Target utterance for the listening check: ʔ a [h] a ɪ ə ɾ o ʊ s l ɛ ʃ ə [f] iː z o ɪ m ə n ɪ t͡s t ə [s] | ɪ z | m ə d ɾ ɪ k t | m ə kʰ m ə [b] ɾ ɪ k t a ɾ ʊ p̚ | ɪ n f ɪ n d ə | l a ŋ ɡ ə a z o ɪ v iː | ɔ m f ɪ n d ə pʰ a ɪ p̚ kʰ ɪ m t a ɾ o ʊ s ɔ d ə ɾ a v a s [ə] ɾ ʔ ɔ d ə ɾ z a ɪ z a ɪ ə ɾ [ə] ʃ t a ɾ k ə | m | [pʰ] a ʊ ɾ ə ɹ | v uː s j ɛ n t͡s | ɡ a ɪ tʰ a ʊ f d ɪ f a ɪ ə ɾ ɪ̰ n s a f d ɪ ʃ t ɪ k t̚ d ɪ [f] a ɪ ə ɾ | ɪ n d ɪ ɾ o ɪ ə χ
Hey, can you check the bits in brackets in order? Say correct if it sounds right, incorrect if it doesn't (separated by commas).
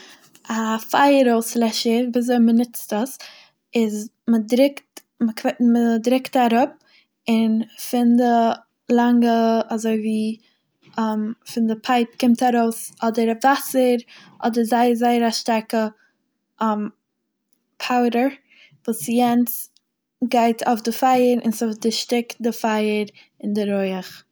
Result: incorrect, incorrect, correct, incorrect, correct, incorrect, correct, correct